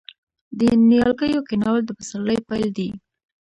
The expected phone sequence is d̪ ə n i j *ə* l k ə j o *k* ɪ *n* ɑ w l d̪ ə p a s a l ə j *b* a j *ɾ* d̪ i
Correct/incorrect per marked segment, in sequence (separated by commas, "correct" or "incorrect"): incorrect, correct, correct, incorrect, incorrect